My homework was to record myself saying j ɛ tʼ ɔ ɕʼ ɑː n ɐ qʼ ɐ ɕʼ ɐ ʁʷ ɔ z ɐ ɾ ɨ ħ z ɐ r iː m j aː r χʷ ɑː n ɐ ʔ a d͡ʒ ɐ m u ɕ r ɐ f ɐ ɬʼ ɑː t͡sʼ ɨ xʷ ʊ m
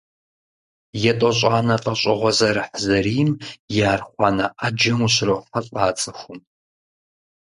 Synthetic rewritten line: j ɛ tʼ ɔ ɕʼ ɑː n ɐ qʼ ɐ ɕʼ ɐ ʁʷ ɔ z ɐ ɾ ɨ ħ z ɐ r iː m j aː r χʷ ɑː n ɐ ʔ a d͡ʒ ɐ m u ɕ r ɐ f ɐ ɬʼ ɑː t͡sʼ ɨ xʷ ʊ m